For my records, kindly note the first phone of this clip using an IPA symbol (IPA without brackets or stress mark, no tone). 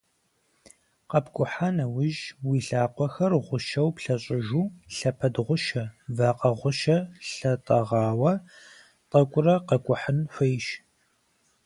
q